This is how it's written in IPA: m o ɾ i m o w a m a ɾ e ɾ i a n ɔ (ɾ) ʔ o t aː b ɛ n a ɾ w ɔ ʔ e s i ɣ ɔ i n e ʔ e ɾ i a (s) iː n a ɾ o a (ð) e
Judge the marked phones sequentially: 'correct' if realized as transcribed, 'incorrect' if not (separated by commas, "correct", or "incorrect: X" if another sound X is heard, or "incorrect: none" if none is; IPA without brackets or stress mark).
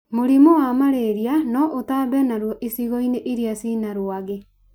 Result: incorrect: none, correct, incorrect: ɣ